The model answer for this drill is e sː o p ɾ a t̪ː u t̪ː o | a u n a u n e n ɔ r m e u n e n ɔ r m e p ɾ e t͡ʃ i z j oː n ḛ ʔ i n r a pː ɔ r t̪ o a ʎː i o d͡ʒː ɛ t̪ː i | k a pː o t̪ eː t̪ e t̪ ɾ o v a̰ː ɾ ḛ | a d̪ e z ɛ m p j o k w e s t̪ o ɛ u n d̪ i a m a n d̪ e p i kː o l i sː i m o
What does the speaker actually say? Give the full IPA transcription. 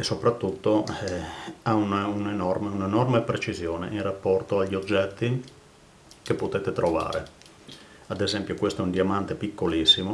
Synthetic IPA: e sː o p ɾ a t̪ː u t̪ː o | a u n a u n e n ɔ r m e u n e n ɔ r m e p ɾ e t͡ʃ i z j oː n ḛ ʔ i n r a pː ɔ r t̪ o a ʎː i o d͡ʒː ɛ t̪ː i | k e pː o t̪ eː t̪ e t̪ ɾ o v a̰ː ɾ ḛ | a d̪ e z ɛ m p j o k w e s t̪ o ɛ u n d̪ i a m a n t̪ e p i kː o l i sː i m o

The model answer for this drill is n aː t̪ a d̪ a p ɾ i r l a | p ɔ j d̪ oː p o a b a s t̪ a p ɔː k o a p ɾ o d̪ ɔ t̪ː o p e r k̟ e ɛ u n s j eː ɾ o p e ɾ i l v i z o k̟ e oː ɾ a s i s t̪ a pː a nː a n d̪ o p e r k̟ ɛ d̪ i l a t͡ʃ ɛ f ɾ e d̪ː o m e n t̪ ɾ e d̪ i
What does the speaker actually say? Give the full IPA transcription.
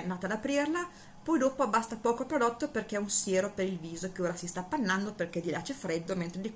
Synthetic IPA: n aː t̪ a d̪ a p ɾ i r l a | p ɔ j d̪ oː p o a b a s t̪ a p ɔː k o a p ɾ o d̪ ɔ t̪ː o p e r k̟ e ɛ u n s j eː ɾ o p e ɾ i l v iː z o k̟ e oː ɾ a s i s t̪ a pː a nː a n d̪ o p e r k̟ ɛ d̪ i l a t͡ʃ ɛ f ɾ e d̪ː o m e n t̪ ɾ e d̪ i

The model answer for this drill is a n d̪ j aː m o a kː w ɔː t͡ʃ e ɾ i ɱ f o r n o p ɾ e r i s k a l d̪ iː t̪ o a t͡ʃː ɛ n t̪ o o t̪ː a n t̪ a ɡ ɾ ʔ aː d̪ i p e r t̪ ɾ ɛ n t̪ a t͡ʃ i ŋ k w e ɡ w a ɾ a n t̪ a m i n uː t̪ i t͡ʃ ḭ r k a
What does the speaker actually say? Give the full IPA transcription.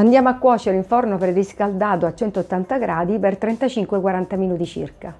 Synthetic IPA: a n d̪ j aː m o a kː w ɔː t͡ʃ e ɾ i ɱ f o r n o p ɾ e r i s k a l d̪ aː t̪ o a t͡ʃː ɛ n t̪ o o t̪ː a n t̪ a ɡ ɾ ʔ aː d̪ i p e r t̪ ɾ ɛ n t̪ a t͡ʃ i ŋ k w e k w a ɾ a n t̪ a m i n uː t̪ i t͡ʃ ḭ r k a

